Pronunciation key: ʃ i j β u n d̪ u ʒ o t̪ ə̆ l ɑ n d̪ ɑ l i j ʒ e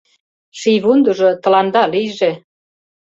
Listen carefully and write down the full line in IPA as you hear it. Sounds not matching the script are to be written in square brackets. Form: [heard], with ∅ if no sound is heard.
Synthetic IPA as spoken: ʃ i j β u n d̪ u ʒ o t̪ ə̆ l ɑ n d̪ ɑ l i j ʒ e